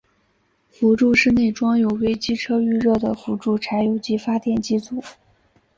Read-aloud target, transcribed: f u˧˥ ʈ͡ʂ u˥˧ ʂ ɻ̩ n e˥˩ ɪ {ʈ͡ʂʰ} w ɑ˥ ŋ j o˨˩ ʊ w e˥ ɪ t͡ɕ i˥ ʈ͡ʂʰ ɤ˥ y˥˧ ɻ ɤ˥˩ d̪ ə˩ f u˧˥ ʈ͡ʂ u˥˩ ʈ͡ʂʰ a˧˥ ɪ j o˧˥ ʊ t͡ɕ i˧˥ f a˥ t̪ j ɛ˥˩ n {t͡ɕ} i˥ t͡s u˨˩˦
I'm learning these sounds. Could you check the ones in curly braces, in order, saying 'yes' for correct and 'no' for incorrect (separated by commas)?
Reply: no, yes